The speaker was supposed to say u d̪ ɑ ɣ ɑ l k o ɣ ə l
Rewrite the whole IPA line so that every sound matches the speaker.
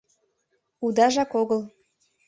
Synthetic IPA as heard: u d̪ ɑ ʒ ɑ k o ɣ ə l